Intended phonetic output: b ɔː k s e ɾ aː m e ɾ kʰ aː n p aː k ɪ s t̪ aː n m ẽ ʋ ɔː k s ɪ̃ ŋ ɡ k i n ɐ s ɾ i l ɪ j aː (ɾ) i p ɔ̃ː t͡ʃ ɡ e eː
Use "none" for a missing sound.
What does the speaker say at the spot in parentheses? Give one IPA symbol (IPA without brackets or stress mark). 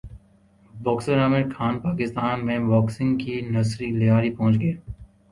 ɾ